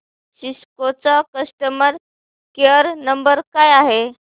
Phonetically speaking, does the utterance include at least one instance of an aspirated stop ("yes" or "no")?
no